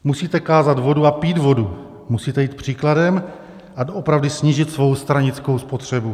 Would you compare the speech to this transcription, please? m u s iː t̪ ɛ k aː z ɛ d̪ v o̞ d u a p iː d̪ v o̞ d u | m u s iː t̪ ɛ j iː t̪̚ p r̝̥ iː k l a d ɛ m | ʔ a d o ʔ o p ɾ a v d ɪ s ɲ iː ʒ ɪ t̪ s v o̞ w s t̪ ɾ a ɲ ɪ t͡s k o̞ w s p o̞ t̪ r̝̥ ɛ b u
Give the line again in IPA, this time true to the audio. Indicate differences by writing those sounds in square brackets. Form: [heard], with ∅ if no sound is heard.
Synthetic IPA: m u s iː t̪ ɛ k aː z [a] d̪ v o̞ d u a p iː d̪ v o̞ d u | m u s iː t̪ ɛ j iː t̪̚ p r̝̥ iː k l a d ɛ m | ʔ a d o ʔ o p ɾ a v d ɪ s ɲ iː ʒ ɪ t̪ s v o̞ w s t̪ ɾ a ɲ ɪ t͡s k o̞ w s p o̞ t̪ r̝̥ ɛ b u